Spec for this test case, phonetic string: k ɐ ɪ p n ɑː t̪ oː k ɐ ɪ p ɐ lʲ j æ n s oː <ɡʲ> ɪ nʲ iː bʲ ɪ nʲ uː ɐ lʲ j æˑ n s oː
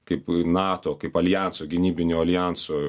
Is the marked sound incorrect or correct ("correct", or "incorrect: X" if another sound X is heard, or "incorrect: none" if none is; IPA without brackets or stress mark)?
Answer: correct